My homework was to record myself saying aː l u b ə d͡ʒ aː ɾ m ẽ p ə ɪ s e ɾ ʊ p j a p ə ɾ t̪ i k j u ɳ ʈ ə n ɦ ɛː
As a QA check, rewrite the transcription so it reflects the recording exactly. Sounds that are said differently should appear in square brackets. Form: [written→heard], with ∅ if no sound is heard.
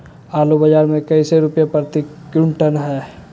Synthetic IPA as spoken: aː l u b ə d͡ʒ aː ɾ m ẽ [p→k] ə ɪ s e ɾ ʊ p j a p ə ɾ t̪ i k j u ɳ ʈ ə n ɦ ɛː

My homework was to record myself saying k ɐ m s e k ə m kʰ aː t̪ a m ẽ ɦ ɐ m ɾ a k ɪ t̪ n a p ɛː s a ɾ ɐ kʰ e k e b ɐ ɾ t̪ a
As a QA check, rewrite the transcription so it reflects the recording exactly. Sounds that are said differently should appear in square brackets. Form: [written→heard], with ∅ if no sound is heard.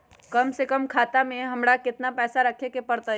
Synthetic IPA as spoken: k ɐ m s e k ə m kʰ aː t̪ a m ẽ ɦ ɐ m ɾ a k ɪ t̪ n a p ɛː s a ɾ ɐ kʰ e k e [b→p] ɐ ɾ t̪ a

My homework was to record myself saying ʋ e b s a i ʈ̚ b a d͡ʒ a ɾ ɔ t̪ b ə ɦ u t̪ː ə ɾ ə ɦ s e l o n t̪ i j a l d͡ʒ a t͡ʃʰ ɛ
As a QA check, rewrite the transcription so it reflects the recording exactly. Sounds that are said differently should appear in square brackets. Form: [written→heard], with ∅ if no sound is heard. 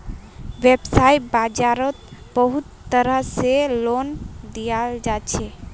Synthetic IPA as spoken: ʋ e b s a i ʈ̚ b a d͡ʒ a ɾ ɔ t̪ b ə ɦ u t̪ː ə ɾ ə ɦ s e l o n [t̪→d̪] i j a l d͡ʒ a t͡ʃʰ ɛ

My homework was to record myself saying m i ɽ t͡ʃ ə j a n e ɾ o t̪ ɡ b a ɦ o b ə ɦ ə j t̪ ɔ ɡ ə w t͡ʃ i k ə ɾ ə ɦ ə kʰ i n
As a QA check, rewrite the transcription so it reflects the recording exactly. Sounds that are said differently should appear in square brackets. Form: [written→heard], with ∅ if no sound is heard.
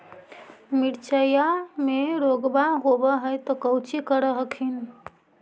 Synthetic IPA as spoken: m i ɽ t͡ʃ ə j a [n→m] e ɾ o [t̪→∅] ɡ b a ɦ o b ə ɦ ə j t̪ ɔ [ɡ→k] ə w t͡ʃ i k ə ɾ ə ɦ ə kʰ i n

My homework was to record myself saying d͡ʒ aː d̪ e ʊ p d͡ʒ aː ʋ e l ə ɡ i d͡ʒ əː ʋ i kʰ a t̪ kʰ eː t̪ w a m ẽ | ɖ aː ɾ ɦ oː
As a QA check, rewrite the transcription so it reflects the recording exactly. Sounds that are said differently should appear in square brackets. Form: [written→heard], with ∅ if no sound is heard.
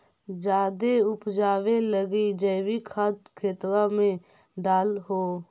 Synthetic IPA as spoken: d͡ʒ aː d̪ e ʊ p d͡ʒ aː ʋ e l ə ɡ i d͡ʒ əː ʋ i kʰ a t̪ kʰ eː t̪ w a m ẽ | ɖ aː [ɾ→l] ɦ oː

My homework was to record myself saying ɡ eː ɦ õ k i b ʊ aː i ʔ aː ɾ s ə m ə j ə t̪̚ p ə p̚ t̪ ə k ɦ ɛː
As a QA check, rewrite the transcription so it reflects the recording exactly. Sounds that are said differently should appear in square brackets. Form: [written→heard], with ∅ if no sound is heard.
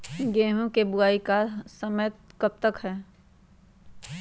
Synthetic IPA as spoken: ɡ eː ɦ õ k [i→e] b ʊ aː i [ʔ→k] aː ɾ s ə m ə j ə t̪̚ [p→k] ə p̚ t̪ ə k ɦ ɛː

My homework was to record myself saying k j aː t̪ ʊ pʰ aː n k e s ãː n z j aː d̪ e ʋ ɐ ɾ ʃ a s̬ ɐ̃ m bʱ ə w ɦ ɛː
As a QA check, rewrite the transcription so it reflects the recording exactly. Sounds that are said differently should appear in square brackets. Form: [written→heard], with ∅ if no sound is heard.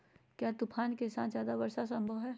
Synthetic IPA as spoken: k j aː t̪ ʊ pʰ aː n k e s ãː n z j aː d̪ [e→a] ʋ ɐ ɾ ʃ a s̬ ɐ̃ m bʱ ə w ɦ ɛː

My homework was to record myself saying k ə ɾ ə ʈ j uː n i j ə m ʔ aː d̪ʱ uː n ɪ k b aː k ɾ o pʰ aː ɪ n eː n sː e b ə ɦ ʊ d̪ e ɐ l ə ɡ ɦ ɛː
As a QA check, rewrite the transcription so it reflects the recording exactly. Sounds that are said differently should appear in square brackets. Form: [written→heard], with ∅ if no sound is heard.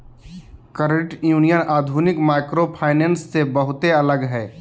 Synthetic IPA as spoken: k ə ɾ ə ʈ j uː n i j ə [m→n] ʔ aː d̪ʱ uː n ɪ k [b→m] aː k ɾ o pʰ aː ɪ n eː n sː e b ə ɦ ʊ [d̪→t̪] e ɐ l ə ɡ ɦ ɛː

